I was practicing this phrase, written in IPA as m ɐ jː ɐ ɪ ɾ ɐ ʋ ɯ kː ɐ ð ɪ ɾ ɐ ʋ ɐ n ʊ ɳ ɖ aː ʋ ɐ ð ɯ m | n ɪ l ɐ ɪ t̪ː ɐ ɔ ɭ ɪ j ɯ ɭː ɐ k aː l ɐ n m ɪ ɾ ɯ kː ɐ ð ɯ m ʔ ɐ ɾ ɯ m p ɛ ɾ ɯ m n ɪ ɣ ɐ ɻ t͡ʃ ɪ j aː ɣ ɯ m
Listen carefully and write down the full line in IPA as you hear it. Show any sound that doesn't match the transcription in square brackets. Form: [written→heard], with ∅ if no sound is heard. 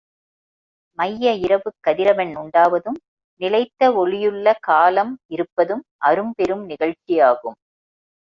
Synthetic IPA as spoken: m ɐ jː ɐ ɪ ɾ ɐ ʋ ɯ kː ɐ ð ɪ ɾ ɐ ʋ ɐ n ʊ ɳ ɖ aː ʋ ɐ ð ɯ m | n ɪ l ɐ ɪ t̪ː ɐ ɔ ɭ ɪ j ɯ ɭː ɐ k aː l ɐ [n→∅] m ɪ ɾ ɯ [kː→pː] ɐ ð ɯ m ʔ ɐ ɾ ɯ m p ɛ ɾ ɯ m n ɪ ɣ ɐ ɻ t͡ʃ ɪ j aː ɣ ɯ m